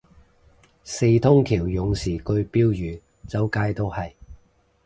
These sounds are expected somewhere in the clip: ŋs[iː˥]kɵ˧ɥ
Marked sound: incorrect: iː˨˩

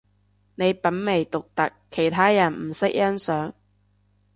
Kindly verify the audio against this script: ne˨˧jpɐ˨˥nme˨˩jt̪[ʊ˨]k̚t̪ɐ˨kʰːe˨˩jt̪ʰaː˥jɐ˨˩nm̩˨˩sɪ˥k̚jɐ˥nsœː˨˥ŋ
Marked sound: correct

